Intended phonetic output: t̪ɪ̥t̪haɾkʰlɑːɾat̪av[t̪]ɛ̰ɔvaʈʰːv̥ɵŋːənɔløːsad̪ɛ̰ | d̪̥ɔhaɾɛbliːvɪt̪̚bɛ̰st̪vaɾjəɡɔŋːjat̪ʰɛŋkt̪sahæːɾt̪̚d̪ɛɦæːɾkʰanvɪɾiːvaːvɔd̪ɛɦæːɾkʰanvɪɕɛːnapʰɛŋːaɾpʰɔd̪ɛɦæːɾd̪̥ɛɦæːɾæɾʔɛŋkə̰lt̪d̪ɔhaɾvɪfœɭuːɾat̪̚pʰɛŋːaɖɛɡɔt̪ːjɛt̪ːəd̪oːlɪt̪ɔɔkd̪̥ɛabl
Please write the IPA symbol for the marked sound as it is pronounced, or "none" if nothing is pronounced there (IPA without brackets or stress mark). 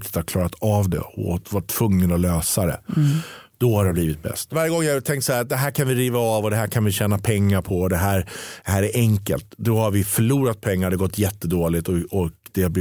d̪